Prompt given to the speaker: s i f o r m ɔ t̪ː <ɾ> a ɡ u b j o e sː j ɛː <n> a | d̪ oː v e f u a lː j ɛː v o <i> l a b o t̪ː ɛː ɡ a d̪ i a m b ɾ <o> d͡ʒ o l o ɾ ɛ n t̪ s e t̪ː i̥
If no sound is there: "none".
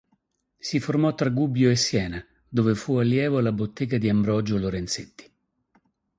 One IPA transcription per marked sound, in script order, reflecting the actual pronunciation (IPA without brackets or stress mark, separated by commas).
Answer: ɾ, n, a, ɔ